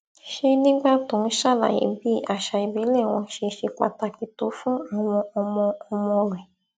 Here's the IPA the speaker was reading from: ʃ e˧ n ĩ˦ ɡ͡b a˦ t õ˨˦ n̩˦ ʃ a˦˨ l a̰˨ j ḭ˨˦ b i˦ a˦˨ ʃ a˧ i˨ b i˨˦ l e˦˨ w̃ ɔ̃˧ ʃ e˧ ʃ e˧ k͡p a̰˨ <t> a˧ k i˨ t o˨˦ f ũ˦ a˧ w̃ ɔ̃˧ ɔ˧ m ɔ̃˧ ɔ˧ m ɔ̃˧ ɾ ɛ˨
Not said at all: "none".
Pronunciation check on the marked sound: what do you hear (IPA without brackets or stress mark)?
t